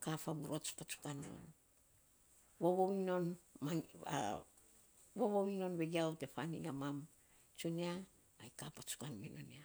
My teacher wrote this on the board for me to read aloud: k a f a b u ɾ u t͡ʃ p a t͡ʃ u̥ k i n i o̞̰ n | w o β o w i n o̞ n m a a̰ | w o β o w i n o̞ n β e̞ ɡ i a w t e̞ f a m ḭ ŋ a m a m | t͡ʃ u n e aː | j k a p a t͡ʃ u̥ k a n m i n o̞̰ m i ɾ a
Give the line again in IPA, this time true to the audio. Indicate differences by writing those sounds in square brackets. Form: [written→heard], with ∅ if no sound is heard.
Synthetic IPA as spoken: k a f a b u ɾ [u→o] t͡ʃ p a t͡ʃ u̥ k [i→a] n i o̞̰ n | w o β o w i n o̞ n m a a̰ | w o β o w i n o̞ n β e̞ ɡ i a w t e̞ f a [m→n] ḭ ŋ a m a m | t͡ʃ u n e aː | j k a p a t͡ʃ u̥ k a n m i n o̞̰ [m→n] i [ɾ→∅] a

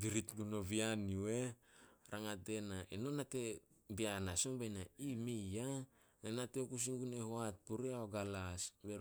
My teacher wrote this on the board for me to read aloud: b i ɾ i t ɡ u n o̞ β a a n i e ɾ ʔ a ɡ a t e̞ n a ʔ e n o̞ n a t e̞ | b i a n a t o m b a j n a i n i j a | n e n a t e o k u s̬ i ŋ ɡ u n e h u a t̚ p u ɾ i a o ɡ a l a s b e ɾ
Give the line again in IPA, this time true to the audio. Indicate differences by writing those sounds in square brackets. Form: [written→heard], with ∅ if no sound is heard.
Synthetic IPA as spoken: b i ɾ i t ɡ u n o̞ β [a→i] a n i e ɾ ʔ a [ɡ→ŋ] a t e̞ n a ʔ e n o̞ n a t e̞ | b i a n a [t→s] o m b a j n a i [n→m] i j a | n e n a t e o k u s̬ i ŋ ɡ u n e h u a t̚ p u ɾ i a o ɡ a l a s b e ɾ

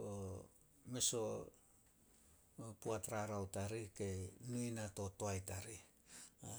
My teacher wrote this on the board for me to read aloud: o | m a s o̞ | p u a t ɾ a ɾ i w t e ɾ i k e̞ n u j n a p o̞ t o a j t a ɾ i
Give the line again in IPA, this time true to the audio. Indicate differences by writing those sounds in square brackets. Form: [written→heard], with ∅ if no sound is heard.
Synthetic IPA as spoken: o | m [a→e] s o̞ | p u a t ɾ a ɾ [i→a] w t [e→a] ɾ i k e̞ n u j n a [p→t] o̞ t o a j t a ɾ i

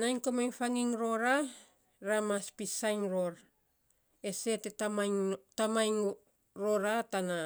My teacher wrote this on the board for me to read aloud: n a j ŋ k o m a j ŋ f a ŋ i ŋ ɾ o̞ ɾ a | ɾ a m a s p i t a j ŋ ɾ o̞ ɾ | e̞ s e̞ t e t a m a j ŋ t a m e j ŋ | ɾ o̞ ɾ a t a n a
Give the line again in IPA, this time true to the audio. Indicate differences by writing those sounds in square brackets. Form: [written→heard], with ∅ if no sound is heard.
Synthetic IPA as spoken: n a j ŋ k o m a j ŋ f a ŋ i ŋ ɾ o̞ ɾ a | ɾ a m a s p i [t→s] a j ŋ ɾ o̞ ɾ | e̞ s e̞ t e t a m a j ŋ t a m [e→a] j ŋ | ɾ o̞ ɾ a t a n a

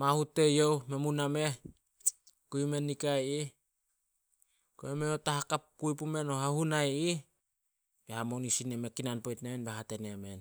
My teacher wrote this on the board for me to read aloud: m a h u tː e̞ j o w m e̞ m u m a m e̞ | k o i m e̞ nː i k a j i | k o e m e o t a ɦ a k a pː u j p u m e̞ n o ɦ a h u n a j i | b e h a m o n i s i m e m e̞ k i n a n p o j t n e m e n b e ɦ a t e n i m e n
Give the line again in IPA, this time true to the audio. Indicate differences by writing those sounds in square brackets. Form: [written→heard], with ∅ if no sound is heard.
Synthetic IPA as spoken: m a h u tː e̞ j o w m e̞ m u [m→n] a m e̞ | k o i m e̞ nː i k a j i | k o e m e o t a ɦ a k a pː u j p u m e̞ n o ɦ a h u n a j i | b e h a m o n i s i [m→n] e m e̞ k i n a n p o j t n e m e n b e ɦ a t e n [i→e] m e n

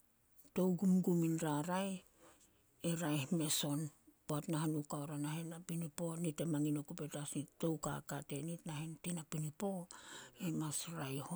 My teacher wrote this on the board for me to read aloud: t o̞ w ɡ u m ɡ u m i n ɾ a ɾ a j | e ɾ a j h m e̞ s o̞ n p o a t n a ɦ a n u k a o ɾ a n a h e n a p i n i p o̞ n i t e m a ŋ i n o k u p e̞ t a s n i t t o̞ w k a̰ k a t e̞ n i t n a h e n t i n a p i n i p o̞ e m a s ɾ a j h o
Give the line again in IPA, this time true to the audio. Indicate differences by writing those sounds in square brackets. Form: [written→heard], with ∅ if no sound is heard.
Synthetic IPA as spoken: t o̞ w ɡ u m ɡ u m i n ɾ a ɾ a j | e ɾ a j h m e̞ s o̞ n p o a t n a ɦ a n u k a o ɾ a n a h e n a p i n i p o̞ n i t e m a ŋ i n o k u p e̞ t a s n i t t o̞ w k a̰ k a t e̞ n i t n a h e n t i n a p i n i p o̞ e m a s ɾ a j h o

